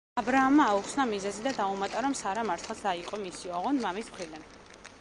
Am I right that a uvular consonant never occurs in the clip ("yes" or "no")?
no